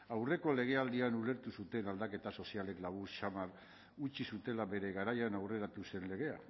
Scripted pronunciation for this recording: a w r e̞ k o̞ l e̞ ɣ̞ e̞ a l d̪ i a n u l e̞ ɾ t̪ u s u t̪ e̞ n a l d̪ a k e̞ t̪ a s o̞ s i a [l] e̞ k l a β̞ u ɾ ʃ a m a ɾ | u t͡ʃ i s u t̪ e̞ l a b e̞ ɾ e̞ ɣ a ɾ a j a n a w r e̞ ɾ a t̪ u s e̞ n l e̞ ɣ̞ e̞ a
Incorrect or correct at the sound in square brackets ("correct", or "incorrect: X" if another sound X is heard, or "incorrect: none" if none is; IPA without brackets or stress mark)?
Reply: correct